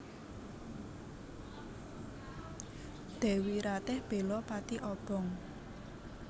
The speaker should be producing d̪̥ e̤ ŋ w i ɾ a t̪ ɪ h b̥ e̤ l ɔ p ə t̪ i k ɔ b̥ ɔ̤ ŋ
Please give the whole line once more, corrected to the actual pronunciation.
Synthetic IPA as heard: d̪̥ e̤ w i ɾ a t̪ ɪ h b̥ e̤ l ɔ p a t̪ i ʔ ɔ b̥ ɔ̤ ŋ